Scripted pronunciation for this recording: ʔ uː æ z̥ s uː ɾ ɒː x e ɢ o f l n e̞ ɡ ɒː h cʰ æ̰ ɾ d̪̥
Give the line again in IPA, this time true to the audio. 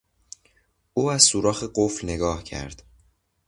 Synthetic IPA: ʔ uː æ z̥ s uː ɾ ɒː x e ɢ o f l n e̞ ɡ ɒː h cʰ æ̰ ɾ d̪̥